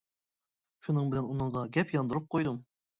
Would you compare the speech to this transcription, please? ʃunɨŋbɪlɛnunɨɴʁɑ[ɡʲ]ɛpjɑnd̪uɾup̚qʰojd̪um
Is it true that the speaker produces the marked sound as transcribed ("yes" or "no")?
yes